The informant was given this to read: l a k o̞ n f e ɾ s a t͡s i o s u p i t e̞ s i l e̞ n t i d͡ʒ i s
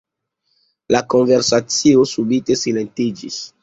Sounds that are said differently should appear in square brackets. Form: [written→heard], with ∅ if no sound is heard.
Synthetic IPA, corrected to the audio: l a k o̞ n [f→v] e ɾ s a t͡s i o s u [p→b] i t e̞ s i l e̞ n t i d͡ʒ i s